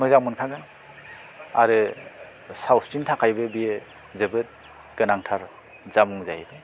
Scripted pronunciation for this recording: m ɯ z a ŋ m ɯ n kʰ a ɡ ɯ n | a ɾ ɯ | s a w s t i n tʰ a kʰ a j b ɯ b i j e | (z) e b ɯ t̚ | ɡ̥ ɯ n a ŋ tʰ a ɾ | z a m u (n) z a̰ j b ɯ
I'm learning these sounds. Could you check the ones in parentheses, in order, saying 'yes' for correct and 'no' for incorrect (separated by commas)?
yes, no